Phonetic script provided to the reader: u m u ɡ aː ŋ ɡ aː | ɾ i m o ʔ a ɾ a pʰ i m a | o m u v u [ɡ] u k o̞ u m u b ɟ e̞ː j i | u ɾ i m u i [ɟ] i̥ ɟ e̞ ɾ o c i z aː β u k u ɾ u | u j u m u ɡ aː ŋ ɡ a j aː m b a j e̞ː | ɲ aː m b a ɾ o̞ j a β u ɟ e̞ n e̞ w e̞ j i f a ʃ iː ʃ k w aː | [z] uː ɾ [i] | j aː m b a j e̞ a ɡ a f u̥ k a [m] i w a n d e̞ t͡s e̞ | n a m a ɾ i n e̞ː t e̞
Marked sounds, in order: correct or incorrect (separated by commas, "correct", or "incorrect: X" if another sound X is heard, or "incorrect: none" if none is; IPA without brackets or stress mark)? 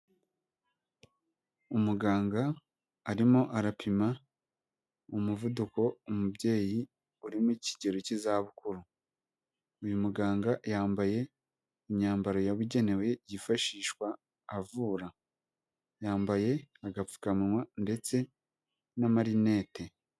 incorrect: d, incorrect: c, incorrect: v, incorrect: a, correct